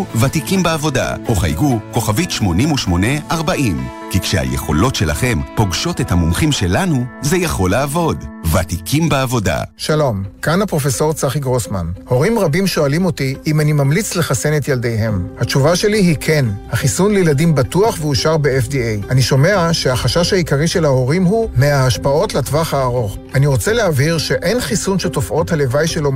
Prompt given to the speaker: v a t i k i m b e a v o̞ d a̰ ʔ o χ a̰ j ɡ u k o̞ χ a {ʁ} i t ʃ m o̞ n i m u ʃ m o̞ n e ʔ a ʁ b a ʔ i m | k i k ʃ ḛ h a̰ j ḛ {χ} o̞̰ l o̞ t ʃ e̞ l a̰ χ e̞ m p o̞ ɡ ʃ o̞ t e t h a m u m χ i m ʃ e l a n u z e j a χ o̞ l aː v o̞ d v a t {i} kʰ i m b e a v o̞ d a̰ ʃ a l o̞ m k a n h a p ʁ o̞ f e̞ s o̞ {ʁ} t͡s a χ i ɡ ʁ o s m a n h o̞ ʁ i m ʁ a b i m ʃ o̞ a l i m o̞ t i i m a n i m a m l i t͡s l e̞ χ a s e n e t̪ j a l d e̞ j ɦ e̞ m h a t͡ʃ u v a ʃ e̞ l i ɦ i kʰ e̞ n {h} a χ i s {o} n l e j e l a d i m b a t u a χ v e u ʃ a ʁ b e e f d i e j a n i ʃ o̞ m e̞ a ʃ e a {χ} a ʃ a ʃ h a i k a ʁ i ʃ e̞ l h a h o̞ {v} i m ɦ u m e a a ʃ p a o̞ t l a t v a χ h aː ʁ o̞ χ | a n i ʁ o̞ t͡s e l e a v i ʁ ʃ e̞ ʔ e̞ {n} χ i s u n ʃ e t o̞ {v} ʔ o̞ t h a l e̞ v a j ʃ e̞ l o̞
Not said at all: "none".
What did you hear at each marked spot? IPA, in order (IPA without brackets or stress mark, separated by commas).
v, χ, i, ʁ, h, u, χ, ʁ, n, f